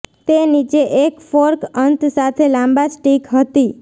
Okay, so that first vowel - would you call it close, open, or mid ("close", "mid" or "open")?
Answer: mid